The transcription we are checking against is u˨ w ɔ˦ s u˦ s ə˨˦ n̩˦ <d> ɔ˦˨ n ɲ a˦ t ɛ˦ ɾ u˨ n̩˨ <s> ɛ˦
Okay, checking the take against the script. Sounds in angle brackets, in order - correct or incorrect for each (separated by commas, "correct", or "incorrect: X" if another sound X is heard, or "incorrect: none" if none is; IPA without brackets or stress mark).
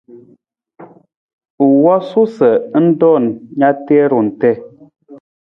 correct, incorrect: t